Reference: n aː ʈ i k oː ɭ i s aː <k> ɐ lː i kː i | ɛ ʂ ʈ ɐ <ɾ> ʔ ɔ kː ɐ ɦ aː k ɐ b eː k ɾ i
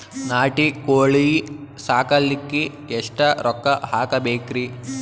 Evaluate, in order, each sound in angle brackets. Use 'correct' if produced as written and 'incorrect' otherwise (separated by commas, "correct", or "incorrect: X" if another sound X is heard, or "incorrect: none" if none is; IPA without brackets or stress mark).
correct, correct